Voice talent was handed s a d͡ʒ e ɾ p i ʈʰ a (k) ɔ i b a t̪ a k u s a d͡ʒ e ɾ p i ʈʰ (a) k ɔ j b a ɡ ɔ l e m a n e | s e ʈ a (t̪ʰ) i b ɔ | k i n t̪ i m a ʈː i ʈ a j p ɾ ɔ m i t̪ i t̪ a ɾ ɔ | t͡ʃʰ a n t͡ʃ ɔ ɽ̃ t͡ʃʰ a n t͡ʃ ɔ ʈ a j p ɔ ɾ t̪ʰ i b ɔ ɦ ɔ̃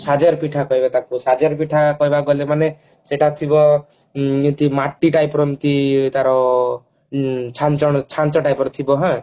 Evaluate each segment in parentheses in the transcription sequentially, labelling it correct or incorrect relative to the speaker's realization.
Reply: correct, correct, correct

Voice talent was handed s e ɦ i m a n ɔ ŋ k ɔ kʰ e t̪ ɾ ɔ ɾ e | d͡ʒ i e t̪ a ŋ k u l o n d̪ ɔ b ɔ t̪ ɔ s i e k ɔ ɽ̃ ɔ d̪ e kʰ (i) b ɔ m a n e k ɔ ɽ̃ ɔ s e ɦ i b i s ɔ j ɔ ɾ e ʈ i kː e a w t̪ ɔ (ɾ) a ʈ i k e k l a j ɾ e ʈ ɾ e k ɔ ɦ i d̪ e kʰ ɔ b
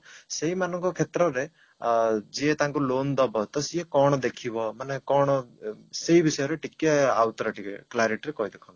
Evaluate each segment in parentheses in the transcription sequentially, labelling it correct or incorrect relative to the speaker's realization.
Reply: correct, correct

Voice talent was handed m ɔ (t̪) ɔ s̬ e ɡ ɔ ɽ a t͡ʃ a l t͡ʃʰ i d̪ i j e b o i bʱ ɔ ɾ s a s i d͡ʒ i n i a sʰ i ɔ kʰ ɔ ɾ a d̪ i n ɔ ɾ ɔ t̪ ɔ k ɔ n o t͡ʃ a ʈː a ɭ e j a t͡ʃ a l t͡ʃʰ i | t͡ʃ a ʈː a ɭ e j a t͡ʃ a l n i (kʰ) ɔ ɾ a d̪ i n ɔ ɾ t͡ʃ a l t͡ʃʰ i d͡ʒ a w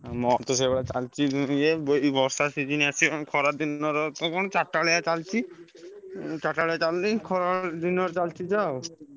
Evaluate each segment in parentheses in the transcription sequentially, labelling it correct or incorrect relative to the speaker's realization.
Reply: correct, correct

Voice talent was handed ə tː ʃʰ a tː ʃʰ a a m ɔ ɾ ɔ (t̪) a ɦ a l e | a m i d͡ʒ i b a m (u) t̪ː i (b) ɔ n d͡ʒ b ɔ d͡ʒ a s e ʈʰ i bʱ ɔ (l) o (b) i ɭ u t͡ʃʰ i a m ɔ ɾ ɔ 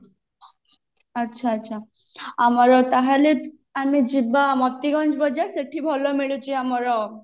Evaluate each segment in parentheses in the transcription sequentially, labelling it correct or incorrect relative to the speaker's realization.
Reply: correct, incorrect, incorrect, correct, incorrect

